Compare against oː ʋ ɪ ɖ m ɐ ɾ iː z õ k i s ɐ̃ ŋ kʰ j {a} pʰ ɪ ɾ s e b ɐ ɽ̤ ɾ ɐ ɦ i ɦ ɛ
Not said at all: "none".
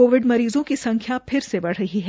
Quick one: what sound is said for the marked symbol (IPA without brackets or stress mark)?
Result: a